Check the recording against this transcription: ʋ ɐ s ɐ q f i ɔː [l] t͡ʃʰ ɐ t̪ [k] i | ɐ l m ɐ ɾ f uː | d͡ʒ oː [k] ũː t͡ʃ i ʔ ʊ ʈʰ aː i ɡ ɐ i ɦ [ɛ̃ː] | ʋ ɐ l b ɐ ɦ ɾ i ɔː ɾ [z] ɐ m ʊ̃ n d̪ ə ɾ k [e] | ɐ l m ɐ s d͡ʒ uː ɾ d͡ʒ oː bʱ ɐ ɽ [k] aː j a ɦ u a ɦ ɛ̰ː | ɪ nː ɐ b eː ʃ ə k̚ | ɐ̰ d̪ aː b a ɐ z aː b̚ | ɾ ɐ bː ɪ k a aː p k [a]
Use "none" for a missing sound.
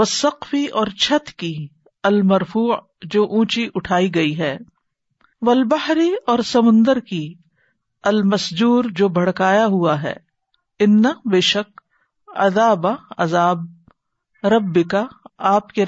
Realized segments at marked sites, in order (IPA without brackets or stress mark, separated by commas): ɾ, k, ʔ, ɛː, s, i, k, e